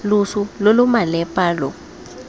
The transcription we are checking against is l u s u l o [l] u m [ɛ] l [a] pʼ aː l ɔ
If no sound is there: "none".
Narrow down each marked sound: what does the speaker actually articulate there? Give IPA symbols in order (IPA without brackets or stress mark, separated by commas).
l, a, ɛ